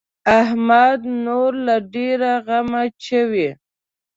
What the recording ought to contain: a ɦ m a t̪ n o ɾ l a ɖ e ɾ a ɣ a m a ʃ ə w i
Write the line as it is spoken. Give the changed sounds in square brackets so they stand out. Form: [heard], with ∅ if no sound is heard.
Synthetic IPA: a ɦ m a [d̪] n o ɾ l a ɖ e ɾ a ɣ a m a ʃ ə w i